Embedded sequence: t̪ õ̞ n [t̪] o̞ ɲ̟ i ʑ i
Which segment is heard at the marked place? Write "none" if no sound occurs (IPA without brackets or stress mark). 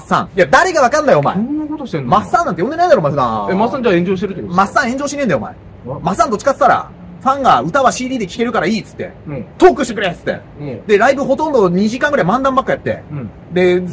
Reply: d̪